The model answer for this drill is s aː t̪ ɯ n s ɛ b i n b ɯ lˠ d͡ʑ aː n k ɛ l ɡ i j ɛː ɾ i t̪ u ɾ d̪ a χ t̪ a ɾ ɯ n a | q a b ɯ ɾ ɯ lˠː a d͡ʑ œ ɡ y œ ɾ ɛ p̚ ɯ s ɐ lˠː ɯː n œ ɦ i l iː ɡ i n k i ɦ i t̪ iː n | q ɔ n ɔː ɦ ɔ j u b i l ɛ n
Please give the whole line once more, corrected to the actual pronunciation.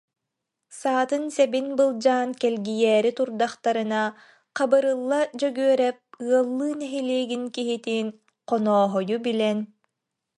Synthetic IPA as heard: s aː t̪ ɯ n s ɛ b i n b ɯ lˠ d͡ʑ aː n k ɛ l ɡ i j ɛː ɾ i t̪ u ɾ d̪ a χ t̪ a ɾ ɯ n a | q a b ɯ ɾ ɯ lˠː a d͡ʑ œ ɡ y œ ɾ ɛ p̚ ɯ ɐ lˠː ɯː n ɛ ɦ i l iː ɡ i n k i ɦ i t̪ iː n | q ɔ n ɔː ɦ ɔ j u b i l ɛ n